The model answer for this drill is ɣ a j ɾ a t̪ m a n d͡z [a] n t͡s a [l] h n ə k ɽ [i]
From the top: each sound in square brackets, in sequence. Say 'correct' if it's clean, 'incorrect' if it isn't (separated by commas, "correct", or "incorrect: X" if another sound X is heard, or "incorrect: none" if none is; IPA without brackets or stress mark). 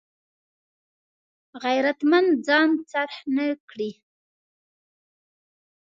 incorrect: ɑ, incorrect: ɾ, correct